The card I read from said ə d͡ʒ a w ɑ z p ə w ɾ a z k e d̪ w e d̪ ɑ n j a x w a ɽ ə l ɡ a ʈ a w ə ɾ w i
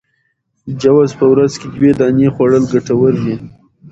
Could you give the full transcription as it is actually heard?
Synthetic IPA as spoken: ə d͡ʒ a w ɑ z p ə w ɾ a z k e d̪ w e d̪ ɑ n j e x w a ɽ ə l ɡ a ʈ a w ə ɾ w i